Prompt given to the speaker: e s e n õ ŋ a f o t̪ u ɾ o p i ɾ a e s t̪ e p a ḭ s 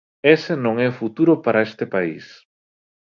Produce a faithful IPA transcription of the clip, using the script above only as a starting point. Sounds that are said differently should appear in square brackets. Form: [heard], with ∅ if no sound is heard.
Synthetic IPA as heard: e s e n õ ŋ [ɛ] f [u] t̪ u ɾ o p [a] ɾ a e s t̪ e p a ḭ s